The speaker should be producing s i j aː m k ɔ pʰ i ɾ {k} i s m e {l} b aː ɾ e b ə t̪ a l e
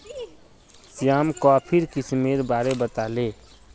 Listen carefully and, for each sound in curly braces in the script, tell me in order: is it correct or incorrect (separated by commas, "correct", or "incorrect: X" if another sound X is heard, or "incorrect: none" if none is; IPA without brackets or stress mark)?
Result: correct, incorrect: ɾ